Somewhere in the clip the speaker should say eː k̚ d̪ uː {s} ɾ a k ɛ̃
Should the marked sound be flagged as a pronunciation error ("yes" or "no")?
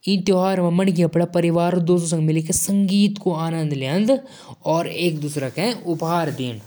no